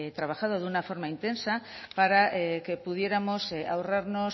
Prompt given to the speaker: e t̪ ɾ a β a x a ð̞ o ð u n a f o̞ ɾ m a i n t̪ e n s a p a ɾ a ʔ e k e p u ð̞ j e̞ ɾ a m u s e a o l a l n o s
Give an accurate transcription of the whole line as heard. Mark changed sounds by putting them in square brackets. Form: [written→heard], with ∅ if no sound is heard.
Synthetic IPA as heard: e t̪ ɾ a β a x a ð̞ o ð u n a f o̞ ɾ m a i n t̪ e n s a p a ɾ a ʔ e k e p u ð̞ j e̞ ɾ a m [u→o] s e a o [l→r] a [l→ɾ] n o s

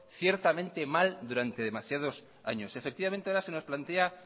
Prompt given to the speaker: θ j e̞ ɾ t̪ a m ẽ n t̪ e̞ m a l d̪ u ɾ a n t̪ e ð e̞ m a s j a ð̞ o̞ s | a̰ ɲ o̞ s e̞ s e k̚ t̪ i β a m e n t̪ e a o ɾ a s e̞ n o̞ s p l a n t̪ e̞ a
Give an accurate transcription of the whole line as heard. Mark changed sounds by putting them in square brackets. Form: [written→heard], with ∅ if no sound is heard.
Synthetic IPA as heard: θ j e̞ ɾ t̪ a m ẽ n t̪ e̞ m a l d̪ u ɾ a n t̪ e ð e̞ m a s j a ð̞ o̞ s | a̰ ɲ o̞ s e̞ [s→f] e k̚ t̪ i β a m e n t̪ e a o ɾ a s e̞ n o̞ s p l a n t̪ e̞ a

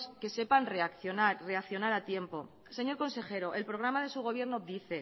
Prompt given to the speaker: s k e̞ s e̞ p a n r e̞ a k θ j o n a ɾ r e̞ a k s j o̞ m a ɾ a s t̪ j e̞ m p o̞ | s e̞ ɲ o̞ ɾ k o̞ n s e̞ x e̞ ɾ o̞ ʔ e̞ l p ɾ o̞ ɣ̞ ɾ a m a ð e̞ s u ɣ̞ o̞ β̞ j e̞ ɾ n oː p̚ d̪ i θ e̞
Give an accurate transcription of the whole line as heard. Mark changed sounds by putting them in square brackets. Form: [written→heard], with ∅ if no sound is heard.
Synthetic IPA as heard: s k e̞ s e̞ p a n r e̞ a k θ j o n a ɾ r e̞ a k [s→θ] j o̞ [m→n] a ɾ a [s→∅] t̪ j e̞ m p o̞ | s e̞ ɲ o̞ ɾ k o̞ n s e̞ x e̞ ɾ o̞ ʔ e̞ l p ɾ o̞ ɣ̞ ɾ a m a ð e̞ s u ɣ̞ o̞ β̞ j e̞ ɾ n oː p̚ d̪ i θ e̞

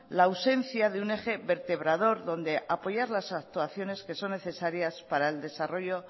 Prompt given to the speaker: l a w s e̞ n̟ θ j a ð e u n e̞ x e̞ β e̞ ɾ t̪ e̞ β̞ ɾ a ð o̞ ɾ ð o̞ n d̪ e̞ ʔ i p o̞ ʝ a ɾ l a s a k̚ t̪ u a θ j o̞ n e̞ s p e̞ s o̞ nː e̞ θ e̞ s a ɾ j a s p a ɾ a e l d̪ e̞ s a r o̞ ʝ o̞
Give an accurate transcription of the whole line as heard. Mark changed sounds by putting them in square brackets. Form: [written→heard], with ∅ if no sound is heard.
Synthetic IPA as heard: l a w s e̞ n̟ θ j a ð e u n e̞ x e̞ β e̞ ɾ t̪ e̞ β̞ ɾ a ð o̞ ɾ ð o̞ n d̪ e̞ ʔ [i→a] p o̞ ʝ a ɾ l a s a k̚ t̪ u a θ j o̞ n e̞ s [p→k] e̞ s o̞ nː e̞ θ e̞ s a ɾ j a s p a ɾ a e l d̪ e̞ s a r o̞ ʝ o̞

